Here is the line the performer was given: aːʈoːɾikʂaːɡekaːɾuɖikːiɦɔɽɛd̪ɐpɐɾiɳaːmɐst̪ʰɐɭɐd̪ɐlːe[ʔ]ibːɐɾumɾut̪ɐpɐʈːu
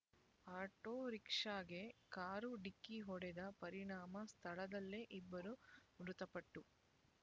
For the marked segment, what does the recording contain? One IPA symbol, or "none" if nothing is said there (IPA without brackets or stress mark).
ʔ